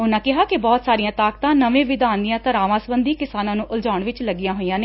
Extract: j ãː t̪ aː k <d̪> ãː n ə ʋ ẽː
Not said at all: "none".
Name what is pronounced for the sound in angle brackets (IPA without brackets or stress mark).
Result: t̪